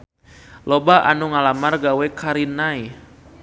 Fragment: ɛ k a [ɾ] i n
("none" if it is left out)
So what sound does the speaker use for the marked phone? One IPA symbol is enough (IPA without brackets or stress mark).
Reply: ɾ